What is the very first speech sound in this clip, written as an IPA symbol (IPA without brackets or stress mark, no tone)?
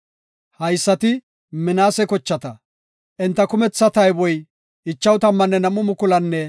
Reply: h